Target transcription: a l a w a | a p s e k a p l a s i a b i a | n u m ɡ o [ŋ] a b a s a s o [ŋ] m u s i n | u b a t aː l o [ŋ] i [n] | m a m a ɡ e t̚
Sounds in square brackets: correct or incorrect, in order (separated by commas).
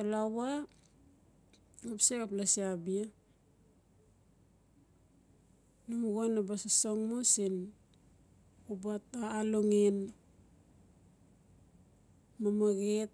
incorrect, correct, correct, correct